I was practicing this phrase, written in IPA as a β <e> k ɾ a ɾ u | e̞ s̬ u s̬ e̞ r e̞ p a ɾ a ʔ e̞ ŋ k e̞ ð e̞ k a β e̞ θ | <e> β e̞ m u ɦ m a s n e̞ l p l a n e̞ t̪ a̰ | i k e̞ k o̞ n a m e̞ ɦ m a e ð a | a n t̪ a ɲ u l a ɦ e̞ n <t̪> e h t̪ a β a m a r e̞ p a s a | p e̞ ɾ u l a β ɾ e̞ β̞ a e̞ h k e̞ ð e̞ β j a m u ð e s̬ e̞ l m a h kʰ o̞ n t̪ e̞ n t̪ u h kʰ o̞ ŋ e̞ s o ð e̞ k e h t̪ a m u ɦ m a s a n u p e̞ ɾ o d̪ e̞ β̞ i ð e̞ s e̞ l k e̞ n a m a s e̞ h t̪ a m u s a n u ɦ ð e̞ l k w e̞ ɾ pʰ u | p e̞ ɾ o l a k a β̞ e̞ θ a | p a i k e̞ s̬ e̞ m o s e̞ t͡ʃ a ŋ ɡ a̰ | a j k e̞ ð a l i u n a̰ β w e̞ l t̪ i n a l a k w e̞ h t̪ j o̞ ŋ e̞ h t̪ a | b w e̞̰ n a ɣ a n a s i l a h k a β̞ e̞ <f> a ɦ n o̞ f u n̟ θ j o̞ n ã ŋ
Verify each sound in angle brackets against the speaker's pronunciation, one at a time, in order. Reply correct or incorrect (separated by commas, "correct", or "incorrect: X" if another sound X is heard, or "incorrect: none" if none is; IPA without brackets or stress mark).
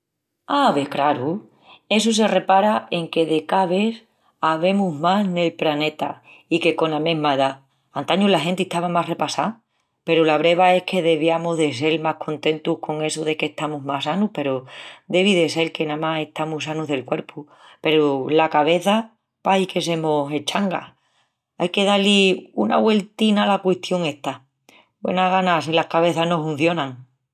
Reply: correct, incorrect: a, correct, incorrect: θ